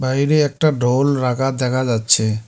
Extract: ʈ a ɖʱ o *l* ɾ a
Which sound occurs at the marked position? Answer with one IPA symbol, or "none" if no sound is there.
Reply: l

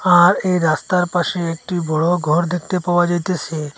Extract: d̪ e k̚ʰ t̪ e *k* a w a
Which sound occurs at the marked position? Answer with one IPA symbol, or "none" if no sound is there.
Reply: p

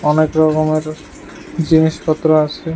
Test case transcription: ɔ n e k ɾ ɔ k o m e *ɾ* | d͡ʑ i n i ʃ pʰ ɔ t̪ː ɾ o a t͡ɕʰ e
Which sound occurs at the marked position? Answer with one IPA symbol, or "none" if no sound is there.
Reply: ɾ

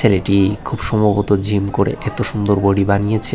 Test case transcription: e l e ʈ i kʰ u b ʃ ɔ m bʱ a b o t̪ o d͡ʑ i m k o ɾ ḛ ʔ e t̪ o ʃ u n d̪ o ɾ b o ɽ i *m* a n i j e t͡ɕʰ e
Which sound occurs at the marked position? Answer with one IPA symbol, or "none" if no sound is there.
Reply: b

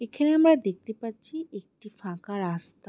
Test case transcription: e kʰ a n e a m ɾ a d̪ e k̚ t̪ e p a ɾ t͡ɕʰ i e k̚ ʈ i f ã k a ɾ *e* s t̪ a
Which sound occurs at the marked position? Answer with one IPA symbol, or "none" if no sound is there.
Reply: a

